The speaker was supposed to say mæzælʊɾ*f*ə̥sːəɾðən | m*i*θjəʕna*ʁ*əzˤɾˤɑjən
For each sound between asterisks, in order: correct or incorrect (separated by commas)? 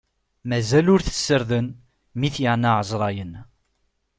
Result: incorrect, correct, incorrect